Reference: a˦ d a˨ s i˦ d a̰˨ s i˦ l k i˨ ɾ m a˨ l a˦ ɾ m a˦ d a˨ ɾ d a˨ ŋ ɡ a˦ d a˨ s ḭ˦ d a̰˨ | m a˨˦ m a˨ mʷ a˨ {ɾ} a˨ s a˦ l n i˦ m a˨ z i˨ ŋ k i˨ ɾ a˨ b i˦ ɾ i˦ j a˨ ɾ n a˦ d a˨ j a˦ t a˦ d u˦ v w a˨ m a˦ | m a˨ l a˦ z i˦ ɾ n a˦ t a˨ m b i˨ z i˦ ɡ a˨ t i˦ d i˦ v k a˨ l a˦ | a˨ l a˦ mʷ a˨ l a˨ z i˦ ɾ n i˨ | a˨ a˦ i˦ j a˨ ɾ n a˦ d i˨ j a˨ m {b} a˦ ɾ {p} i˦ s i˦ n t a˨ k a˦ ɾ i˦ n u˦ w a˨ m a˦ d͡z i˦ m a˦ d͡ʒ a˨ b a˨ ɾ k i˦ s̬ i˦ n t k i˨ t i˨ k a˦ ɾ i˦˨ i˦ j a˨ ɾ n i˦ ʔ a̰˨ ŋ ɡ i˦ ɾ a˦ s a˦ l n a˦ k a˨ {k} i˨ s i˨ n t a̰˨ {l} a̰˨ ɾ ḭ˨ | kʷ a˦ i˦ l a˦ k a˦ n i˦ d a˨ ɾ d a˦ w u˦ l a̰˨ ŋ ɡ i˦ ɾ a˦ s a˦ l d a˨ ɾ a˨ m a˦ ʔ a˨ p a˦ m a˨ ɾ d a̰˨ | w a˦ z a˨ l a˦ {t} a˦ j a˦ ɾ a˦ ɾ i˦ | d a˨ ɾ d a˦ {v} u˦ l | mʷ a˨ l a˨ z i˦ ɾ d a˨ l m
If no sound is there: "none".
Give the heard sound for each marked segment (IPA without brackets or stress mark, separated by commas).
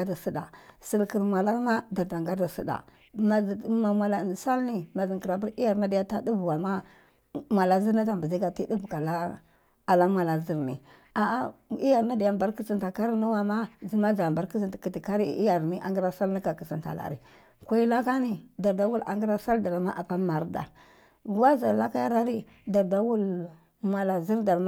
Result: l, b, k, k, l, k, w